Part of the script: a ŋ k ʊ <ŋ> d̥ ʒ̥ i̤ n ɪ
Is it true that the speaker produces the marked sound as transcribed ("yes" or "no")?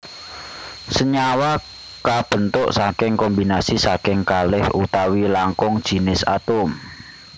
yes